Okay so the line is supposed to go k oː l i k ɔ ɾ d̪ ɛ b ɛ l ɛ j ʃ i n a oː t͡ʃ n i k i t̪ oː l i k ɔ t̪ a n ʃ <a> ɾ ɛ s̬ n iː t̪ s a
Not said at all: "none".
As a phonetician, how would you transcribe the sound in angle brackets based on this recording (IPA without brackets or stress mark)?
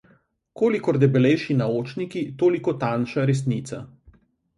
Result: a